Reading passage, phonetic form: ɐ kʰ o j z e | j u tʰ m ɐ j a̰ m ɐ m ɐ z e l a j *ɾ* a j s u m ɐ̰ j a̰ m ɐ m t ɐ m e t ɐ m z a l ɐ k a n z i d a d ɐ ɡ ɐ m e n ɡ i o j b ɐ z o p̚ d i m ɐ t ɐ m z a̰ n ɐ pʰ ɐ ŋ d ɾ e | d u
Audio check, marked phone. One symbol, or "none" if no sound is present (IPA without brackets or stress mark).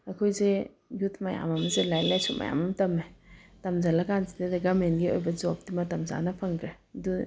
l